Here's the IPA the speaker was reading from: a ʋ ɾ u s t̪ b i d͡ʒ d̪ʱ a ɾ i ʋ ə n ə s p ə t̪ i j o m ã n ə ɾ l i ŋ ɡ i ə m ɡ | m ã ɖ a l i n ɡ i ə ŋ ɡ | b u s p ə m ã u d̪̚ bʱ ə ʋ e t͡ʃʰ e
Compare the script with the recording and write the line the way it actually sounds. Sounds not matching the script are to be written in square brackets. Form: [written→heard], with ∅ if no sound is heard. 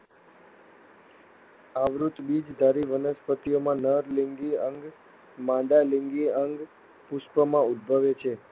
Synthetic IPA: a ʋ ɾ u [s→∅] t̪ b i d͡ʒ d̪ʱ a ɾ i ʋ ə n ə s p ə t̪ i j o m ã n ə ɾ l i ŋ ɡ i ə [m→ŋ] ɡ | m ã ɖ a l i [n→ŋ] ɡ i ə ŋ ɡ | [b→p] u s p ə m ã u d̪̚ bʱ ə ʋ e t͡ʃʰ e